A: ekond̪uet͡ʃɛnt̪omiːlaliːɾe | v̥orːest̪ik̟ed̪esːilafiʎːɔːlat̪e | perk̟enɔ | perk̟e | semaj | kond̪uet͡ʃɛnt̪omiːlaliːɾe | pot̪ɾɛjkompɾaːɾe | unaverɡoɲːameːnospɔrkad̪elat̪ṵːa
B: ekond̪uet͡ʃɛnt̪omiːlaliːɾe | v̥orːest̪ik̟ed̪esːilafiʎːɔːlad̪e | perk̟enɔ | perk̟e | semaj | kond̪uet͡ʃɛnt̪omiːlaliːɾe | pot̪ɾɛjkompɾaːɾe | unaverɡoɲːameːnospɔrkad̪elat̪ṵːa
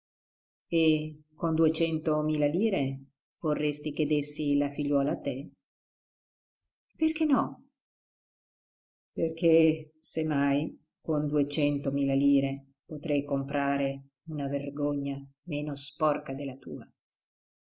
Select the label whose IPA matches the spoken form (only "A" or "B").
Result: A